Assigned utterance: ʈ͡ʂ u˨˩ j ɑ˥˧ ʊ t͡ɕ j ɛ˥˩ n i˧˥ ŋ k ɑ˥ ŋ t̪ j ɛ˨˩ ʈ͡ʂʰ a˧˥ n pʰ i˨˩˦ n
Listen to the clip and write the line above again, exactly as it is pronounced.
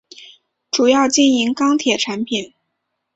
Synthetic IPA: ʈ͡ʂ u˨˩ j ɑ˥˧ ʊ t͡ɕ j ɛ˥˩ n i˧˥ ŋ k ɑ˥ ŋ t̪ʰ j ɛ˨˩ ʈ͡ʂʰ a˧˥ n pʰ i˨˩˦ n